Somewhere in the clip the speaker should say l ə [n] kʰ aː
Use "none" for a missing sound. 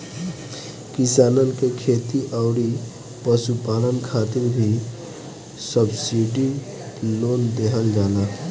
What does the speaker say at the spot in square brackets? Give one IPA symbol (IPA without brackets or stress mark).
n